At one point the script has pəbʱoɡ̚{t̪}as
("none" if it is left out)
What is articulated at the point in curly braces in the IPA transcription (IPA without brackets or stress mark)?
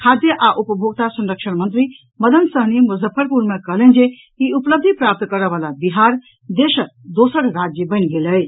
t̪